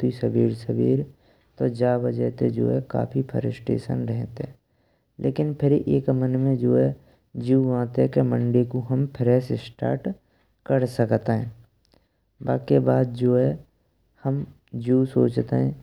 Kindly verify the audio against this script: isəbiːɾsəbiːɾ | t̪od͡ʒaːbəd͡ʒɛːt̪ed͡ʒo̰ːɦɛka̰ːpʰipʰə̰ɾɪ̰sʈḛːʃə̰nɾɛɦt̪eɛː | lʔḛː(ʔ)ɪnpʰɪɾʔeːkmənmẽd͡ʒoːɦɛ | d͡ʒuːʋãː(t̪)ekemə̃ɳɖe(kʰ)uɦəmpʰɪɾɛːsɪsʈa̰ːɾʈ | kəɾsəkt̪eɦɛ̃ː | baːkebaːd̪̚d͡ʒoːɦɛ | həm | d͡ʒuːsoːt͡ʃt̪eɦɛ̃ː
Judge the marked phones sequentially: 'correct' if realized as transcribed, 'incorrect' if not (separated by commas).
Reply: incorrect, correct, incorrect